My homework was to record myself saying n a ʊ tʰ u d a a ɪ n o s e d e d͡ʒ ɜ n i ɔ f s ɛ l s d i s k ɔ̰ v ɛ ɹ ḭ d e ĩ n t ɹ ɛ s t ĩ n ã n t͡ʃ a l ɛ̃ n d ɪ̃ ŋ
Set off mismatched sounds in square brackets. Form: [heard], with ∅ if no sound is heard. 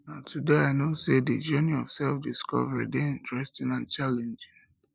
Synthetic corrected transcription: n a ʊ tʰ u d [e] a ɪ n o s e d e d͡ʒ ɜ n i ɔ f s ɛ l [f] d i s k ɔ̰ v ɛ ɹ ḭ d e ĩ n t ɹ ɛ s t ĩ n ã n t͡ʃ a l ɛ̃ n [d͡ʒ] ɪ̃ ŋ